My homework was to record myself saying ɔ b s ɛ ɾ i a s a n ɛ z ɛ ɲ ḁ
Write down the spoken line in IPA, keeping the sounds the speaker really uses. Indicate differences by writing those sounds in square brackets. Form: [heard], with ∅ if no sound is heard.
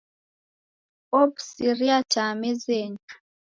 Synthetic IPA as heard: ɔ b s [i] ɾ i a [t] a [m] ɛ z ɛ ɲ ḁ